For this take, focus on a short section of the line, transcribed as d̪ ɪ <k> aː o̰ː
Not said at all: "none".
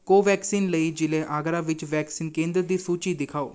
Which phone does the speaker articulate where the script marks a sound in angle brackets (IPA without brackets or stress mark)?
kʰ